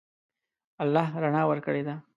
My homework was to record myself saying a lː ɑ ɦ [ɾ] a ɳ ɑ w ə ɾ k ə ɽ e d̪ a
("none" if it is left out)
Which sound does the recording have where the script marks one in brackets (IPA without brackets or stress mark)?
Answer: ɾ